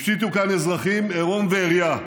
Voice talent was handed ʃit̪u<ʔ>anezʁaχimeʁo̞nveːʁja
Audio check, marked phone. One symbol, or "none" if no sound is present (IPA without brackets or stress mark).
k